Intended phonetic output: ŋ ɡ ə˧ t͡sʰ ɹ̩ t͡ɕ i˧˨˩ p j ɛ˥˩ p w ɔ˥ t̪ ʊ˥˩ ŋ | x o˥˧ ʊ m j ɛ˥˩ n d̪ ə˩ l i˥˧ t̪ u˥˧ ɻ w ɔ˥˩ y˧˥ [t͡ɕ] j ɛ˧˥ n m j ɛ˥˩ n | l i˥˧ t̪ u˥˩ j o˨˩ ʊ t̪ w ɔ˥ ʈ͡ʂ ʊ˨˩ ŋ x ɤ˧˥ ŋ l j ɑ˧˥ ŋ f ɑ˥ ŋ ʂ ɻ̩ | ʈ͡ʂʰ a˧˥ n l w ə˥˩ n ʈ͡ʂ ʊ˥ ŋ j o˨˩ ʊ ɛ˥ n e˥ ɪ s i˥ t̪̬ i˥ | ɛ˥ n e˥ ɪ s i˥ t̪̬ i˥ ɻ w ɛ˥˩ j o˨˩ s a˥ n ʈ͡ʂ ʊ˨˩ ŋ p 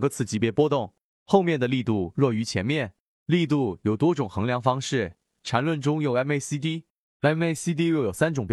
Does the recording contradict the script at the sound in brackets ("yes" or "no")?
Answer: yes